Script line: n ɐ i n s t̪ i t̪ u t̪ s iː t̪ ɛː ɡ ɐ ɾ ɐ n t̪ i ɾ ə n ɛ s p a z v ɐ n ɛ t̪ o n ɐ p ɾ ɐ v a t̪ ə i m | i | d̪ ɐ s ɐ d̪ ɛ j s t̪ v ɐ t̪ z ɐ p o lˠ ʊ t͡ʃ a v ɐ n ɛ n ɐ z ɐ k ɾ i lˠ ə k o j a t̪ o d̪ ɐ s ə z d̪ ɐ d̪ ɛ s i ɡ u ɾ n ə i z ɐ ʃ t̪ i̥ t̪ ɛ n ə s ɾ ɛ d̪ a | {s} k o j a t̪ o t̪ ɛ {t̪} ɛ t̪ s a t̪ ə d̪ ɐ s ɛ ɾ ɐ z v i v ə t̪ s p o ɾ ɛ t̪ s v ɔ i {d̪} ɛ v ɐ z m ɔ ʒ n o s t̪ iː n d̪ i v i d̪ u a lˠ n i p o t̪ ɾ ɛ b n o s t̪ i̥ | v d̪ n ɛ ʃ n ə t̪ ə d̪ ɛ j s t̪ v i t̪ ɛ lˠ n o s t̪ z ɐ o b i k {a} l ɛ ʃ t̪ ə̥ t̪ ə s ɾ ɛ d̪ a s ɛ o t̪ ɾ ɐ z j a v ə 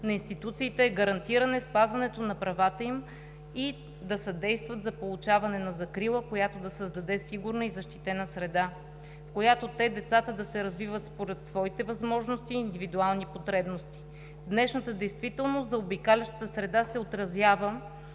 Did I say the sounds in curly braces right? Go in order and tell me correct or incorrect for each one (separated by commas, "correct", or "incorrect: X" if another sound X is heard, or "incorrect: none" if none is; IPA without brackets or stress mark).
incorrect: f, incorrect: d̪, incorrect: t̪, correct